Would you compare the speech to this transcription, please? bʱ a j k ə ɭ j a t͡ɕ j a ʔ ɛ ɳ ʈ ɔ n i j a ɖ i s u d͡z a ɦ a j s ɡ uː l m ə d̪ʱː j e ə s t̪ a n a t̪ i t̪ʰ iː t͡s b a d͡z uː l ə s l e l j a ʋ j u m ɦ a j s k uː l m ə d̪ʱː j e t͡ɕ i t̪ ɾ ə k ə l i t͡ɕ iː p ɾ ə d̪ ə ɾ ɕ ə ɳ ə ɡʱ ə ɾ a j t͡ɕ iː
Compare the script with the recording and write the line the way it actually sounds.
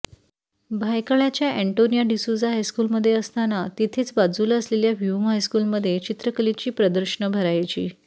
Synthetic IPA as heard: bʱ a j k ə ɭ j a t͡ɕ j a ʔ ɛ ɳ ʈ o n i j a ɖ i s u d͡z a ɦ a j s k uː l m ə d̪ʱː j e ə s t̪ a n a t̪ i t̪ʰ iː t͡s b a d͡z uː l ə s l e l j a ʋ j u m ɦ a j s k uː l m ə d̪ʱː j e t͡ɕ i t̪ ɾ ə k ə l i t͡ɕ iː p ɾ ə d̪ ə ɾ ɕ ə ɳ ə bʱ ə ɾ a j t͡ɕ iː